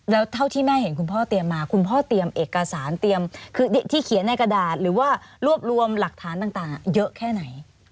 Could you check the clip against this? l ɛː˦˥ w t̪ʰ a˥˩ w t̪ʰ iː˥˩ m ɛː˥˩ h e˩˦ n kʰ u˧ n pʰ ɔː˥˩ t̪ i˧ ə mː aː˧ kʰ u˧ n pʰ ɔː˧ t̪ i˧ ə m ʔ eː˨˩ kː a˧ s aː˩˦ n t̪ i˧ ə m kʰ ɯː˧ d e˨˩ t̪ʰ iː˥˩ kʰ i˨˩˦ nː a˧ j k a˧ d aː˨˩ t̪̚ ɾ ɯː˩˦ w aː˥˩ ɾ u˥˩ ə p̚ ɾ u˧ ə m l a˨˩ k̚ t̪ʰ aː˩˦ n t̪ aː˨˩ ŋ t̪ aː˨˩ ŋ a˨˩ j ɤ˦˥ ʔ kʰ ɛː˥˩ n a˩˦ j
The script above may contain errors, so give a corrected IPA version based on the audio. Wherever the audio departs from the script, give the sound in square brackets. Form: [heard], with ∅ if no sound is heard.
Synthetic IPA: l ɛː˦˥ w t̪ʰ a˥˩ w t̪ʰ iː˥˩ m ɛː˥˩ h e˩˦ n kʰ u˧ n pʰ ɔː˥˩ t̪ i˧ ə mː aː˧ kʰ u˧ n pʰ [ɔː˥˩] t̪ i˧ ə m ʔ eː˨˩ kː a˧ s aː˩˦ n t̪ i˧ ə m kʰ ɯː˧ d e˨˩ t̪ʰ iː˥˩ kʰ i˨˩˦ nː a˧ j k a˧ d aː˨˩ t̪̚ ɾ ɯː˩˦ w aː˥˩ ɾ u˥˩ ə p̚ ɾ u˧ ə m l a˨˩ k̚ t̪ʰ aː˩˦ n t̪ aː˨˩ ŋ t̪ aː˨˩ ŋ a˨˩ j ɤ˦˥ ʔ kʰ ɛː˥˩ n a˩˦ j